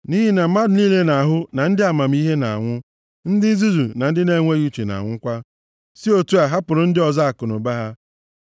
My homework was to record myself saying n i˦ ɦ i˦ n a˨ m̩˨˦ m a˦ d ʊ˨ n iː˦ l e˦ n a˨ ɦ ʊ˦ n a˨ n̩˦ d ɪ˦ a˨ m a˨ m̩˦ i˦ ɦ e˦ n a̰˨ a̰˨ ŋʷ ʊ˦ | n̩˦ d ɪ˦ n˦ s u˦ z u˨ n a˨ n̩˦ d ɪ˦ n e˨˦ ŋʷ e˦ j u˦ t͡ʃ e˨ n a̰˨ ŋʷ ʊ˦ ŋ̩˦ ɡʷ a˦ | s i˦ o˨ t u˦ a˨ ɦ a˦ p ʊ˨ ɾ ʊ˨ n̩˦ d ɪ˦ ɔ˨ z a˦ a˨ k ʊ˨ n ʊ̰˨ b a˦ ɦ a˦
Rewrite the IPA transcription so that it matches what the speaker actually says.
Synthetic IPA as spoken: n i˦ ɦ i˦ n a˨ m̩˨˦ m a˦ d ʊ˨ n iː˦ l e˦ n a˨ ɦ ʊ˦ n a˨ n̩˦ d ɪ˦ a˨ m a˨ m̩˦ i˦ ɦ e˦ n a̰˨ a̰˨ ŋʷ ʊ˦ | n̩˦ d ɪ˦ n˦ z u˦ z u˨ n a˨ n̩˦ d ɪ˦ n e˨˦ ŋʷ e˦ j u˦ t͡ʃ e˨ n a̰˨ ŋʷ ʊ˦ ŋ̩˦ kʷ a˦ | s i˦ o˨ t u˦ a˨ ɦ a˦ p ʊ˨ ɾ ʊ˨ n̩˦ d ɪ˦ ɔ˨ z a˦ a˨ k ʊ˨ n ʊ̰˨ b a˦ ɦ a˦